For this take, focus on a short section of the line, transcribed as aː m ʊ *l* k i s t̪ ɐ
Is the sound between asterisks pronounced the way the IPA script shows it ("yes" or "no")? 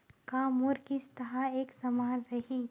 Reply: no